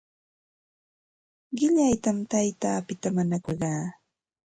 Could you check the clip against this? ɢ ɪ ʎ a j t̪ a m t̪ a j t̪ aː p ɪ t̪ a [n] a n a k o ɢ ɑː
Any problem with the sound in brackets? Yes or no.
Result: yes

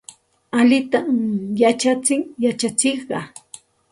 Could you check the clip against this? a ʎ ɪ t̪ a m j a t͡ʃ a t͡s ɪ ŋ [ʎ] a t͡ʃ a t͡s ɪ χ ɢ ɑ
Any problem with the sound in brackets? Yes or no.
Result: yes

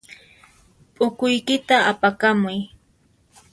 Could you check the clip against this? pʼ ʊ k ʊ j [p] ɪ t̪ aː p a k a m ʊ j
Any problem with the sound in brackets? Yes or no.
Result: yes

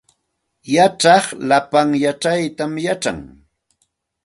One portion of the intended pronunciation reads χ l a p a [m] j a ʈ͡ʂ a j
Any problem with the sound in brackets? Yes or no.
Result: yes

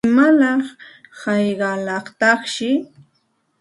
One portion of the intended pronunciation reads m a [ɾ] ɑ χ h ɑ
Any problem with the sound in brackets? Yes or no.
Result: yes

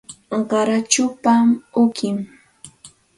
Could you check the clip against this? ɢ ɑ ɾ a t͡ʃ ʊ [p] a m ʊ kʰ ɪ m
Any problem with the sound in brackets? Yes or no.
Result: no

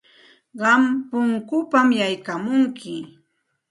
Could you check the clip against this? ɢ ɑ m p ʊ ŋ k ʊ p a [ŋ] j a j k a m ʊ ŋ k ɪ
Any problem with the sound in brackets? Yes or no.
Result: yes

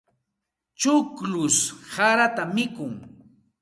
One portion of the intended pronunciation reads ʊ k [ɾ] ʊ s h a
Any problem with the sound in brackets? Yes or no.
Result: yes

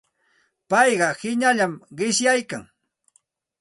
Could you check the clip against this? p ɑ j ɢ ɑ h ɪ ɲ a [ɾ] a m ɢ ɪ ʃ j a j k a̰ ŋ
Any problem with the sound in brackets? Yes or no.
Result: yes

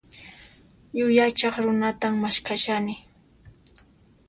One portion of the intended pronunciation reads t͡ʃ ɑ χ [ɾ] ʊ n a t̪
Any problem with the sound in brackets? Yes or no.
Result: no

